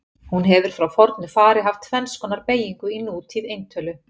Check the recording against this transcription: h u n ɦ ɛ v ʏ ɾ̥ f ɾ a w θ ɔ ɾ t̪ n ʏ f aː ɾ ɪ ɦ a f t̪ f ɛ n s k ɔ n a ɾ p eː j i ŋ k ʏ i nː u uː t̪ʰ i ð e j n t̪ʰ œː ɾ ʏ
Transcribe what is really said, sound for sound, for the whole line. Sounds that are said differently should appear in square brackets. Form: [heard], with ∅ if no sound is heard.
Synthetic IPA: h u n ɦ ɛ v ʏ ɾ̥ f ɾ a w [f] ɔ ɾ t̪ n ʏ f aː ɾ ɪ ɦ a f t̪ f ɛ n s k ɔ n a ɾ p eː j i ŋ k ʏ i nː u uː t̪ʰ i ð e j n t̪ʰ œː [l] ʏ